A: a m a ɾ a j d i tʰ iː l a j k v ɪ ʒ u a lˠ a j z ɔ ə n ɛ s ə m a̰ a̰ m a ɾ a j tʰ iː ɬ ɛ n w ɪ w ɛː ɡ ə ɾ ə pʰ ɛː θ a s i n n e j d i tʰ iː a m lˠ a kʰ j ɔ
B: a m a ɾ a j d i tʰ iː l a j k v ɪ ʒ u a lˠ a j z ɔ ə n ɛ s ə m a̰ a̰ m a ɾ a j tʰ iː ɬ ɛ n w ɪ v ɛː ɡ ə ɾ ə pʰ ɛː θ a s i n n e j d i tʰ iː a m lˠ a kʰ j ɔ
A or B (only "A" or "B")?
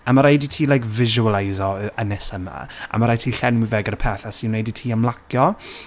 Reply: B